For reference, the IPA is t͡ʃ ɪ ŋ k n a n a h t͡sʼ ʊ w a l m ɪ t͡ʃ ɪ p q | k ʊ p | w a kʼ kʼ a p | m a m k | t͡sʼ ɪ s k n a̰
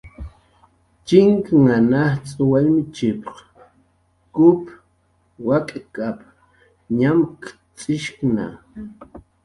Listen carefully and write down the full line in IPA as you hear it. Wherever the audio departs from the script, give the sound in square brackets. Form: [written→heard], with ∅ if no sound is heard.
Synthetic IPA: t͡ʃ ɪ ŋ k [n→ŋ] a n a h t͡sʼ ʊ w a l m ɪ t͡ʃ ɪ p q | k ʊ p | w a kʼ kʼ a p | [m→ɲ] a m k | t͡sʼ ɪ [s→ʃ] k n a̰

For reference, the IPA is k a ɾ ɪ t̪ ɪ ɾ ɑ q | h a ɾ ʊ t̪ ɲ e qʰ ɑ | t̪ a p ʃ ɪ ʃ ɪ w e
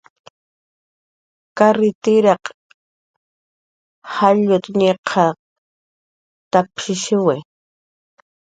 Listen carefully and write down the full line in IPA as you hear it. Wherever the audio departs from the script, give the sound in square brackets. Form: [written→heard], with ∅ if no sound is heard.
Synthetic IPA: k a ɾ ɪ t̪ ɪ ɾ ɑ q | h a [ɾ→ʎ] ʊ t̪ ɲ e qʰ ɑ | t̪ a p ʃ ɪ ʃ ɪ w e

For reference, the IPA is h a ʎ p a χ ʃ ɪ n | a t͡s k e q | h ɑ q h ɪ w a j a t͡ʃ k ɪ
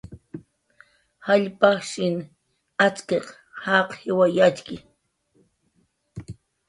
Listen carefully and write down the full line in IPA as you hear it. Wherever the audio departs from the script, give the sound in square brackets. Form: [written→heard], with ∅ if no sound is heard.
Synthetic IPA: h a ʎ p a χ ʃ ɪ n | a t͡s k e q | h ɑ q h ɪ w a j a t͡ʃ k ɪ

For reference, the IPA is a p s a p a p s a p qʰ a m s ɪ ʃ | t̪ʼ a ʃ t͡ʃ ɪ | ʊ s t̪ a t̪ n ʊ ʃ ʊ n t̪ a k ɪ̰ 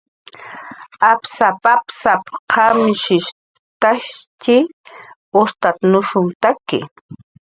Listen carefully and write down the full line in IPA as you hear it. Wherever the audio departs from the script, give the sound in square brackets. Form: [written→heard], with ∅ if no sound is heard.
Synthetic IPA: a p s a p a p s a p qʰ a m [s→ʃ] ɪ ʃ | [t̪ʼ→t̪] a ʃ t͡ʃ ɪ | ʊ s t̪ a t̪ n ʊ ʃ ʊ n t̪ a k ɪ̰

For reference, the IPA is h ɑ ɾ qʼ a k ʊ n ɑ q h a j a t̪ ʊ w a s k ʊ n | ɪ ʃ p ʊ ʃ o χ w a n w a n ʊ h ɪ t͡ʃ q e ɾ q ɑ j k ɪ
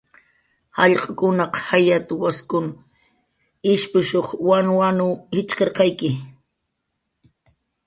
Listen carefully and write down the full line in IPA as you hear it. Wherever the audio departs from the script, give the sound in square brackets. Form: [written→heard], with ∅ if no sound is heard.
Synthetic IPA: h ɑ [ɾ→ʎ] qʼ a k ʊ n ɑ q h a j a t̪ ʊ w a s k ʊ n | ɪ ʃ p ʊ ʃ o χ w a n w a n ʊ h ɪ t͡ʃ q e ɾ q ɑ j k ɪ

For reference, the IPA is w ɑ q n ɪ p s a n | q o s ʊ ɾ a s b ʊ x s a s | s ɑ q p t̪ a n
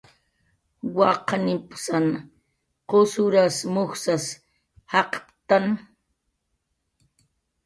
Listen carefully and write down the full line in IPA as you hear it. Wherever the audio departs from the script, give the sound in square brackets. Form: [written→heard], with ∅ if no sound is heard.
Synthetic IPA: w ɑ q n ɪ p s a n | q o s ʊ ɾ a s [b→m] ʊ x s a s | [s→h] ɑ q p t̪ a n

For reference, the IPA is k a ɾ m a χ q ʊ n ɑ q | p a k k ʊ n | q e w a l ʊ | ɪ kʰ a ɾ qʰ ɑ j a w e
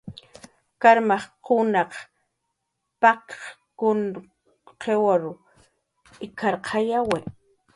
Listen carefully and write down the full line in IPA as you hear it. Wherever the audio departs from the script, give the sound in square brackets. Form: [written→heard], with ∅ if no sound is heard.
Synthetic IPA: k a ɾ m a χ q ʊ n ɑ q | p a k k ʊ n | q e w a [l→ɾ] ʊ | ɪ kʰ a ɾ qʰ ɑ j a w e

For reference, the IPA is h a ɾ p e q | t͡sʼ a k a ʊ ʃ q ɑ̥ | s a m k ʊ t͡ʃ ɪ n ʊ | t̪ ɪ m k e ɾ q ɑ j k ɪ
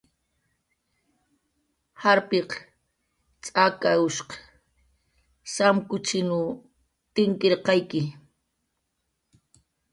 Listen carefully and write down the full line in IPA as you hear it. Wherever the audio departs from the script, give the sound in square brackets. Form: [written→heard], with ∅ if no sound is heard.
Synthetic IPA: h a ɾ p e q | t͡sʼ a k a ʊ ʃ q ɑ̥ | s a m k ʊ t͡ʃ ɪ n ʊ | t̪ ɪ [m→ŋ] k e ɾ q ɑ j k ɪ

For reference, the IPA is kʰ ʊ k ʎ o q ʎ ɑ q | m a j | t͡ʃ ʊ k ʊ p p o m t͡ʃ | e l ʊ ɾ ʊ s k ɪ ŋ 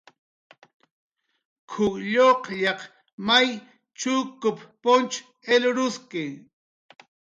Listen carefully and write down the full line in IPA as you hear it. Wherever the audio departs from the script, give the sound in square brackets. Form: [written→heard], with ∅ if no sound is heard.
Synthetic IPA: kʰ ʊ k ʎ o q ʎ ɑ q | m a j | t͡ʃ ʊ k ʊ p p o [m→n] t͡ʃ | e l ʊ ɾ ʊ s k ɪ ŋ

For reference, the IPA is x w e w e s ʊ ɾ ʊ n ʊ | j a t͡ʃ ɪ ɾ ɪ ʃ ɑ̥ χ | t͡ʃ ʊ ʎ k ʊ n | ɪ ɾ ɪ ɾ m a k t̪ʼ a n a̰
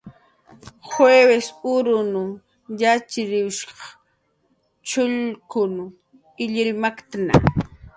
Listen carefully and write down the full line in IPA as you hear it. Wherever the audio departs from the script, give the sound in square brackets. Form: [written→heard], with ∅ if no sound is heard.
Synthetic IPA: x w e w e s ʊ ɾ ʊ n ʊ | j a t͡ʃ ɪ ɾ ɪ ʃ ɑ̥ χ | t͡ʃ ʊ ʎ k ʊ n | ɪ [ɾ→ʎ] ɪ ɾ m a k [t̪ʼ→t̪] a n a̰

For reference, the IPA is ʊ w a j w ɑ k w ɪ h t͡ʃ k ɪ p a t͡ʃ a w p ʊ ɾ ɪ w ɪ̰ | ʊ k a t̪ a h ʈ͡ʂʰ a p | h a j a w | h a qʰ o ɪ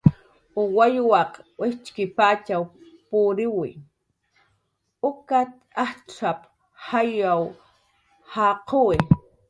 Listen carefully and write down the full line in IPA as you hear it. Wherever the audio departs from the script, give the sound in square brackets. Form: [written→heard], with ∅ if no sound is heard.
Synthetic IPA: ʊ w a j w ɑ [k→q] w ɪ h t͡ʃ k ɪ p a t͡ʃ a w p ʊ ɾ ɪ w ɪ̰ | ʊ k a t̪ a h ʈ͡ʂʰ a p | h a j a w | h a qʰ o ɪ

